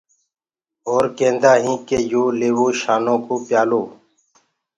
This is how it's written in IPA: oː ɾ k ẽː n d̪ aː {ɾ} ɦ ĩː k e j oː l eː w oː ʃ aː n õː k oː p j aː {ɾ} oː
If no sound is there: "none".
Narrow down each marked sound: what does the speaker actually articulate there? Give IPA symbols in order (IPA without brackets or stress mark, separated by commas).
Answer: none, l